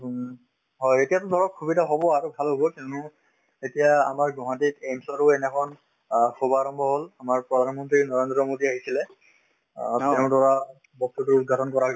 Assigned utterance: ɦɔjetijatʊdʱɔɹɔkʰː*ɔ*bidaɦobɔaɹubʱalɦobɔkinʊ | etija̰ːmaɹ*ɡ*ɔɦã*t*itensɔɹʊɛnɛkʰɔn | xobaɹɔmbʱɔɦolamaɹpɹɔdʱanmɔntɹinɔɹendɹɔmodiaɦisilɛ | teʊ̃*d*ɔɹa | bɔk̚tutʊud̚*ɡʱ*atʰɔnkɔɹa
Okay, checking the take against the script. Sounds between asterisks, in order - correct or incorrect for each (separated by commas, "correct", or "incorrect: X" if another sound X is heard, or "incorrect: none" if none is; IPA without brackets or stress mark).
incorrect: u, correct, correct, correct, correct